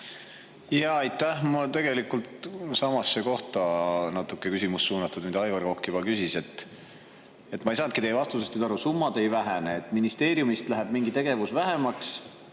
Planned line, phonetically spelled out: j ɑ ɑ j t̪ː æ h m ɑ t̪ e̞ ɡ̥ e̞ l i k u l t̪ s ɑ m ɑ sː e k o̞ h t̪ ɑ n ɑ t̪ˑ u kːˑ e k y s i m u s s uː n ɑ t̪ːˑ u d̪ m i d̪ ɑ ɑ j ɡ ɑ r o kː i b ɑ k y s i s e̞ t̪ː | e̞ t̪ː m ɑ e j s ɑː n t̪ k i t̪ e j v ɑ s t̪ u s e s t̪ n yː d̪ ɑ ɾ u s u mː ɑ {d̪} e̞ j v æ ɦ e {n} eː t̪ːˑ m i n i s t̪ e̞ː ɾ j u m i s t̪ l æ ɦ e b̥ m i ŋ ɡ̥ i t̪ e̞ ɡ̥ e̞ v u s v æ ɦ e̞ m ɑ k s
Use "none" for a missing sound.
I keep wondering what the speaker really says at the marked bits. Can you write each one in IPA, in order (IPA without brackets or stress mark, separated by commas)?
d̪, n